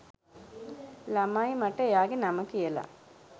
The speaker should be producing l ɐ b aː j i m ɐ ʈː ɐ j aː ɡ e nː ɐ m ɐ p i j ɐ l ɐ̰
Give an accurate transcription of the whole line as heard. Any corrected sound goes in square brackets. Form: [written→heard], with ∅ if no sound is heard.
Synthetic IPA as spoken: l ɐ [b→m] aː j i m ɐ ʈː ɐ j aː ɡ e [nː→n] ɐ m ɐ [p→k] i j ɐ l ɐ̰